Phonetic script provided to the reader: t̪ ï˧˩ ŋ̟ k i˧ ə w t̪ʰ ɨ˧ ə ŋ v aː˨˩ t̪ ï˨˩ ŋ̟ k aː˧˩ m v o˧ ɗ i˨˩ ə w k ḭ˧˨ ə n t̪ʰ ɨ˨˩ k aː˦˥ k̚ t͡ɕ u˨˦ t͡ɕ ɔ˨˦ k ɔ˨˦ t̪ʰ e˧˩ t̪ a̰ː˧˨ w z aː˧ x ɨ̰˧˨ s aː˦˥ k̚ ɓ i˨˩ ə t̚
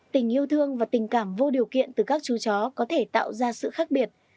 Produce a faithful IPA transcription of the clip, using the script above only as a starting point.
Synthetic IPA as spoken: t̪ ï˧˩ ŋ̟ ʔ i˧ ə w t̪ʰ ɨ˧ ə ŋ v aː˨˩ t̪ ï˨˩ ŋ̟ k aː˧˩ m v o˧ ɗ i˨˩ ə w k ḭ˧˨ ə n t̪ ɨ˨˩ k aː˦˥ k̚ t͡ɕ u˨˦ t͡ɕ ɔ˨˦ k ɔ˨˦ t̪ʰ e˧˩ t̪ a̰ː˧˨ w z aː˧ s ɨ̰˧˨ x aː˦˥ k̚ ɓ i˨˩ ə t̚